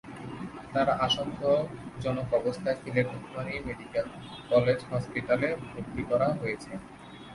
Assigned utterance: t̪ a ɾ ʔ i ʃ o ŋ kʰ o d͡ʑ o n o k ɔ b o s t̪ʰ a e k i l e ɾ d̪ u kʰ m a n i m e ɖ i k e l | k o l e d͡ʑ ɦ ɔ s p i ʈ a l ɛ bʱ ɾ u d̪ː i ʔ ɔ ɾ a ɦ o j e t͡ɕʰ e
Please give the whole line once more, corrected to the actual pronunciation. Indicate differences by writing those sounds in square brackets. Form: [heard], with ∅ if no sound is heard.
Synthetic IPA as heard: t̪ a ɾ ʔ [a] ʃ o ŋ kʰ o d͡ʑ [ɔ] n o k ɔ b o s t̪ʰ a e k i l e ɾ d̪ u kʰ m a n i m e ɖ i k e l | k [ɔ] l e d͡ʑ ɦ ɔ s p i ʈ a l [e] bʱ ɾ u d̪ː i [k] ɔ ɾ a ɦ o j e t͡ɕʰ e